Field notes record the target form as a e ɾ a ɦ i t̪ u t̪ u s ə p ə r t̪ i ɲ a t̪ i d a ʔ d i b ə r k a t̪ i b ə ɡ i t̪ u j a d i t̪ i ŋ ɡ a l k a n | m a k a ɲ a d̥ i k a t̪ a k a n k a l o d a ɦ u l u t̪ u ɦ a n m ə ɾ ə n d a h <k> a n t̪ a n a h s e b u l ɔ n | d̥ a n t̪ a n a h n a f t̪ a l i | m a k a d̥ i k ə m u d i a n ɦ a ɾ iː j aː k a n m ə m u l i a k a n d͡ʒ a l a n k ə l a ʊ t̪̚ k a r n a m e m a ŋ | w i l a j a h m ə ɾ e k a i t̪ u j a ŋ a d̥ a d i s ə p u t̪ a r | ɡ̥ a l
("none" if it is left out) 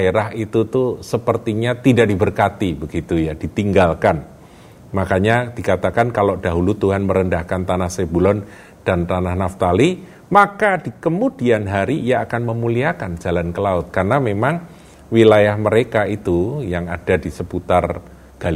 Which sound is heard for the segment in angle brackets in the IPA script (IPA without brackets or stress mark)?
k